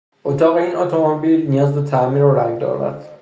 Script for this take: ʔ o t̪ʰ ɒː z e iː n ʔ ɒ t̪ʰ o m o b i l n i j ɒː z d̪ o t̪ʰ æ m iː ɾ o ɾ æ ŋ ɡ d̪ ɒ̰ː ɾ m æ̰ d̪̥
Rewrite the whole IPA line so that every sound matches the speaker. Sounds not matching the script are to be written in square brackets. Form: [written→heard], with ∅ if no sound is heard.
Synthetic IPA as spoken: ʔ o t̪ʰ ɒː [z→ɣ] e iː n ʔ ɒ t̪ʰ o m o b i l n i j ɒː z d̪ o t̪ʰ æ m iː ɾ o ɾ æ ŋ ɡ d̪ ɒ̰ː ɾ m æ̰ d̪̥